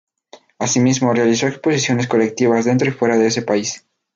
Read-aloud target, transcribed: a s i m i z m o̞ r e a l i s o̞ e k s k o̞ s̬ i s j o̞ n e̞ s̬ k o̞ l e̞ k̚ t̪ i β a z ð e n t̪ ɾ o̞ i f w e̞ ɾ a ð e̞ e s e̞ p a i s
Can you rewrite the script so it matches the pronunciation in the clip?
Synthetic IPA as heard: a s i m i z m o̞ r e a l i s o̞ e k s p o̞ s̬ i s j o̞ n e̞ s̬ k o̞ l e̞ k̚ t̪ i β a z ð e n t̪ ɾ o̞ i f w e̞ ɾ a ð e̞ e s e̞ p a i s